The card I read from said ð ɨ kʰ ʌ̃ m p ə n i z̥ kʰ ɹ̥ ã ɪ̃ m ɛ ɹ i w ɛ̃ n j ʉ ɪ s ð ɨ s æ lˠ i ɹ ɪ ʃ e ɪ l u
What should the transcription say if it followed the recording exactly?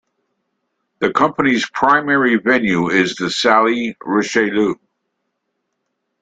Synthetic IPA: ð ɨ kʰ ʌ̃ m p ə n i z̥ pʰ ɹ̥ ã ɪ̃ m ɛ ɹ i v ɛ̃ n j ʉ ɪ z ð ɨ s æ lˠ i ɹ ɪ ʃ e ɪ l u